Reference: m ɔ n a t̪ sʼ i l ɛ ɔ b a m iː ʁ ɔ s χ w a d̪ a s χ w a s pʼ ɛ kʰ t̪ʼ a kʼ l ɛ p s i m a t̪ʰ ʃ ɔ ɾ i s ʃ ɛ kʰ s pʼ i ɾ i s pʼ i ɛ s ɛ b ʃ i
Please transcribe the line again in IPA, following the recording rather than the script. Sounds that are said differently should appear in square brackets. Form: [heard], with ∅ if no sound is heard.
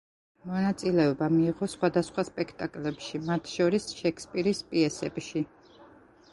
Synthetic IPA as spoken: m ɔ n a t̪ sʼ i l ɛ ɔ b a m iː ʁ ɔ s χ w a d̪ a s χ w a s pʼ ɛ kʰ t̪ʼ a kʼ l ɛ p [ʃ] i m a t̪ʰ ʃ ɔ ɾ i s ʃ ɛ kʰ s pʼ i ɾ i s pʼ i ɛ s ɛ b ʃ i